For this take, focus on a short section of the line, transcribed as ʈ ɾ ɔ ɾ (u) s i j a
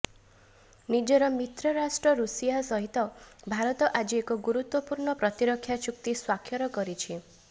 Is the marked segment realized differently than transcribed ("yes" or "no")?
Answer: no